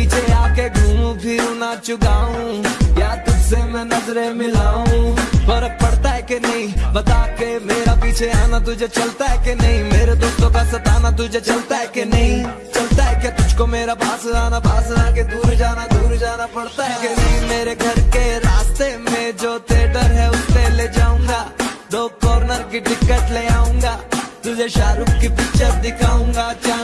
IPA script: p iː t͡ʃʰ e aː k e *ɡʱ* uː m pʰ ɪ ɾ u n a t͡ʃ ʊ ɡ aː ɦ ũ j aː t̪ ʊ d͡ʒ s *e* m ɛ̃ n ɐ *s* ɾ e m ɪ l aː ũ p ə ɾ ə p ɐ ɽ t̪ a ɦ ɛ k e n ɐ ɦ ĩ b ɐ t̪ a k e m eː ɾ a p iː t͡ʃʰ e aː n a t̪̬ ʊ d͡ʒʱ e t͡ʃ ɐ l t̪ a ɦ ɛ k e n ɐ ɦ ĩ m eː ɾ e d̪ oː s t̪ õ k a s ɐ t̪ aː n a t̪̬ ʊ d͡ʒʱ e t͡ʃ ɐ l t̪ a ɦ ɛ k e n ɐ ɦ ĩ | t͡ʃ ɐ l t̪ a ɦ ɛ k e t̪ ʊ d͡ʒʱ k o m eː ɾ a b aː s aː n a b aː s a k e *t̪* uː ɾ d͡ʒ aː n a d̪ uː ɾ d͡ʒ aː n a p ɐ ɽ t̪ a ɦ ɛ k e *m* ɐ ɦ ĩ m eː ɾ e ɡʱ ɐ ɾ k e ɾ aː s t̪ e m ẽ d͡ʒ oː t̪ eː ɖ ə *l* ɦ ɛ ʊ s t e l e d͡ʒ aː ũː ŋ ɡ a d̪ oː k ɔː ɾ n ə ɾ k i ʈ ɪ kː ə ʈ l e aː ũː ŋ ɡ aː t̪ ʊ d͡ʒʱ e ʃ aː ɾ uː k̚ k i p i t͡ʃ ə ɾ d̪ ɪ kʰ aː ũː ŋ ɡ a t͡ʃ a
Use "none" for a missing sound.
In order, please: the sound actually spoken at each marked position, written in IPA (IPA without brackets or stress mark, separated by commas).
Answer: ɡʱ, e, z, d̪, n, ɾ